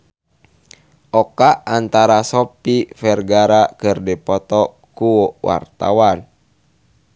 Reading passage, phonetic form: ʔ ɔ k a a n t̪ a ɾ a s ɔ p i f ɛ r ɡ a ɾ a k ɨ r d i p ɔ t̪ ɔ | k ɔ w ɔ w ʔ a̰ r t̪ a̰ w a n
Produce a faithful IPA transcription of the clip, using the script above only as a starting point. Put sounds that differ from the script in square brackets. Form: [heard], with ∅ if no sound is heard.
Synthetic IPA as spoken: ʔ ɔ k a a n t̪ a ɾ a s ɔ p i f ɛ r ɡ a ɾ a k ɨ r d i p ɔ t̪ ɔ | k [u] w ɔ w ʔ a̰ r t̪ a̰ w a n